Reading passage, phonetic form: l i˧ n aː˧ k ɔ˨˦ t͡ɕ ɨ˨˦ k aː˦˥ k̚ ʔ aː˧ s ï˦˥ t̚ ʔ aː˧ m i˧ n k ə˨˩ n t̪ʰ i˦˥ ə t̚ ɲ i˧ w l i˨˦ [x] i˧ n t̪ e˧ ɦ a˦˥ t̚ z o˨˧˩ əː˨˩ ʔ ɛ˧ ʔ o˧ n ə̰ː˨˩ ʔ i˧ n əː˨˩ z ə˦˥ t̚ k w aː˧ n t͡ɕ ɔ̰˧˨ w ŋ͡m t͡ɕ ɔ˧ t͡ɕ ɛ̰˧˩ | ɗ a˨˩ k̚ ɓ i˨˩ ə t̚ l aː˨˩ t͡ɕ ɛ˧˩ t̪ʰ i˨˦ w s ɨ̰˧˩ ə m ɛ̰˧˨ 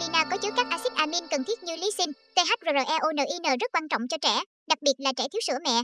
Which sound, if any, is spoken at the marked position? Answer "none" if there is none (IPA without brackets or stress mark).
s